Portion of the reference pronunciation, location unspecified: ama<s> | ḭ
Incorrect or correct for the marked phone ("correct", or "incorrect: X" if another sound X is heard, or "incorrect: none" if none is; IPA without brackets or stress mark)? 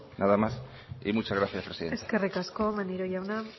correct